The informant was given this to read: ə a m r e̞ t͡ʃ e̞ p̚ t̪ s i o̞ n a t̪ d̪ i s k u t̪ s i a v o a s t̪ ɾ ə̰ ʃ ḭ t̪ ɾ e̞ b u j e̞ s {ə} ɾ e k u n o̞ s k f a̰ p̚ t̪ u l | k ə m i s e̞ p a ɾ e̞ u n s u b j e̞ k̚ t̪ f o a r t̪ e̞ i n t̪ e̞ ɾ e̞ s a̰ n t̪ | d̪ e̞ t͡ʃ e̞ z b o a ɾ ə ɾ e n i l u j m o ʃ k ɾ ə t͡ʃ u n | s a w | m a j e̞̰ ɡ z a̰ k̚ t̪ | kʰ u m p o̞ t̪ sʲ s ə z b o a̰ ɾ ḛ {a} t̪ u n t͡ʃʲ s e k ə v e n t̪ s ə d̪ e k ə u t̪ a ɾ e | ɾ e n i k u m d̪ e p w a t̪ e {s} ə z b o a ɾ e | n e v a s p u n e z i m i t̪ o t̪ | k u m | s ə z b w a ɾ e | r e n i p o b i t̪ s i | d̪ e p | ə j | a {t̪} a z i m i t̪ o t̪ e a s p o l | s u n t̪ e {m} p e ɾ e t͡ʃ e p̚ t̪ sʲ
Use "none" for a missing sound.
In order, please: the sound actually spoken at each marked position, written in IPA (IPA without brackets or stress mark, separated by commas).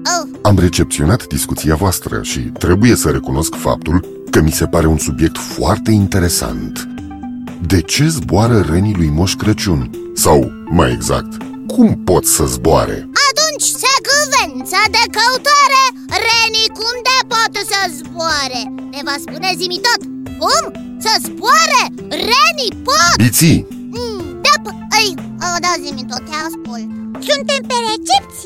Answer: ə, a, s, d̪, m